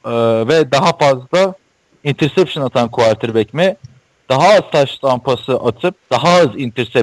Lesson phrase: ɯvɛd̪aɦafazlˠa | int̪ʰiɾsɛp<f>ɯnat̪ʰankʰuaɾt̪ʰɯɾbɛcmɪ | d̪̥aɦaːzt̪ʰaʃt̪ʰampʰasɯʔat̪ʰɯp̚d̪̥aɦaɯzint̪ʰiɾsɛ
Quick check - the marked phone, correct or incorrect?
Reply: incorrect